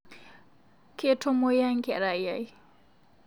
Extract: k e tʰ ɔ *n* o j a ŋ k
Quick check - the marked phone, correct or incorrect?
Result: incorrect: m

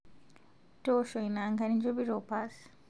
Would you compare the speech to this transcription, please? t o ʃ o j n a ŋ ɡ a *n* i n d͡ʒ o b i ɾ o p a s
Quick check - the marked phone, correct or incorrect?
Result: correct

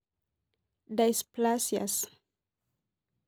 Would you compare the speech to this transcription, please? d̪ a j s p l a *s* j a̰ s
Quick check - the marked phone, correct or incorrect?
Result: correct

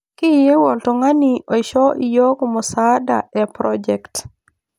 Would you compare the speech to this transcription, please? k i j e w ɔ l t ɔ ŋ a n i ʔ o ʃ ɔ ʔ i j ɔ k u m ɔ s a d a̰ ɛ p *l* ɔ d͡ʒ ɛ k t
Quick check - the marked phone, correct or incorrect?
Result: incorrect: ɾ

